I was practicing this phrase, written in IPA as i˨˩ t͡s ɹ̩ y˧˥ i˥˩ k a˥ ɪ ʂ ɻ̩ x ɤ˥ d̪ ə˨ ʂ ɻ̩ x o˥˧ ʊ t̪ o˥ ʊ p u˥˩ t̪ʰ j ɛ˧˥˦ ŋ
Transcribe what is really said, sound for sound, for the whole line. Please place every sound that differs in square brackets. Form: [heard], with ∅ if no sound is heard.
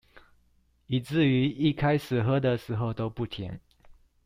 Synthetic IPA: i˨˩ t͡s ɹ̩ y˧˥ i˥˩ [kʰ] a˥ ɪ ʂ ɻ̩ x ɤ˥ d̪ ə˨ ʂ ɻ̩ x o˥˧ ʊ t̪ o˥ ʊ p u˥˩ t̪ʰ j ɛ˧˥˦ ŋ